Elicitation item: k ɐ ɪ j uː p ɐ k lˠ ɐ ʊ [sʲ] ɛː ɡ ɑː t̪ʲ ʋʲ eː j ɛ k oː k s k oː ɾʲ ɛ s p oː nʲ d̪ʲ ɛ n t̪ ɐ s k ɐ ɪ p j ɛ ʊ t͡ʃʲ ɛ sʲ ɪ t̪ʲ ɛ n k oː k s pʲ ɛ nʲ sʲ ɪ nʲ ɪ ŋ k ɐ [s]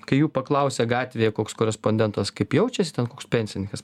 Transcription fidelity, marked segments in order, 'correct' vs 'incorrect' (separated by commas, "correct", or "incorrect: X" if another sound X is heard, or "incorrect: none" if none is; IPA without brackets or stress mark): correct, correct